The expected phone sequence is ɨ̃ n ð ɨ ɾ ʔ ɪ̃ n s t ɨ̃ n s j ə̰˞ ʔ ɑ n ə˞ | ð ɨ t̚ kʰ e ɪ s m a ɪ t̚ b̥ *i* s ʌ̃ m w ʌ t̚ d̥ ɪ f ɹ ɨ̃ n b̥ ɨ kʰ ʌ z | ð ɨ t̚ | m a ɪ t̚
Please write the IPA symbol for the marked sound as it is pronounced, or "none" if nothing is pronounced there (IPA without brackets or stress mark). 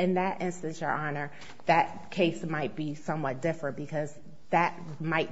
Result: i